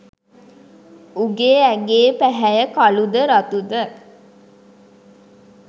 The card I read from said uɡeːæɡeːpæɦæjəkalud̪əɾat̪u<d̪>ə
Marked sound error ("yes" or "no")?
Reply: no